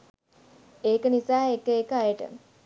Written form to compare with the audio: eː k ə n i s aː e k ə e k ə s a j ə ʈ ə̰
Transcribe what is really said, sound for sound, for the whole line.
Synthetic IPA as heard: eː k ə n i s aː e k ə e k ə a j ə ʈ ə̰